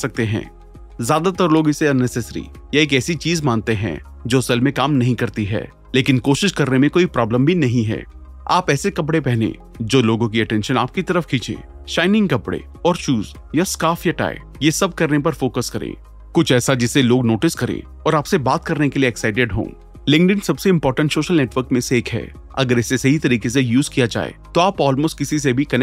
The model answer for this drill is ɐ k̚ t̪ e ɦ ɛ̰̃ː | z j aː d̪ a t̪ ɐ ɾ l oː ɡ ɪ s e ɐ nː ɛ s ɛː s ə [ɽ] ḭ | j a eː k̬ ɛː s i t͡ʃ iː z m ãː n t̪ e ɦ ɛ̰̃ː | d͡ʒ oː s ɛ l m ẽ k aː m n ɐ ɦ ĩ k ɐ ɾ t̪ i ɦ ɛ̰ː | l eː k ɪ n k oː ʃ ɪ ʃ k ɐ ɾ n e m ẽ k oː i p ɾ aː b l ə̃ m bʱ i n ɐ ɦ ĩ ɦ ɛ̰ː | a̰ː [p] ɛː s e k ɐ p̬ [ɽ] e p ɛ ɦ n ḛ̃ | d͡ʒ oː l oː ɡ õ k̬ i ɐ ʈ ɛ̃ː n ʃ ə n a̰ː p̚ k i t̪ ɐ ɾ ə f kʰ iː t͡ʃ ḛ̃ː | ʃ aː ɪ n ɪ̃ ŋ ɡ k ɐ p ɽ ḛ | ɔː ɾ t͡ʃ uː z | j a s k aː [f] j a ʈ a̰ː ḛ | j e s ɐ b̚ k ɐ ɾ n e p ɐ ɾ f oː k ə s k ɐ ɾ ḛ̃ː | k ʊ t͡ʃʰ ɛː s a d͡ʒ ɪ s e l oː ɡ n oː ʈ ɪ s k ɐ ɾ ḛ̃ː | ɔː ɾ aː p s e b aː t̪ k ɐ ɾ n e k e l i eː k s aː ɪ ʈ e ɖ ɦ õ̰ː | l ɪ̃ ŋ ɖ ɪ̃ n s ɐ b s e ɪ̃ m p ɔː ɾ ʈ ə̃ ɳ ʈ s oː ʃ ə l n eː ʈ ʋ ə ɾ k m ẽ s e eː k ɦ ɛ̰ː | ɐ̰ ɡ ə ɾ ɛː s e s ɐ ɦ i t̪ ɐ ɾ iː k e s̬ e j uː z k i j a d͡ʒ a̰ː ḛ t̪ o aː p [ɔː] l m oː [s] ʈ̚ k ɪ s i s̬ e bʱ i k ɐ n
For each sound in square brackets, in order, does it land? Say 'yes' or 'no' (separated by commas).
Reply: no, yes, yes, yes, yes, yes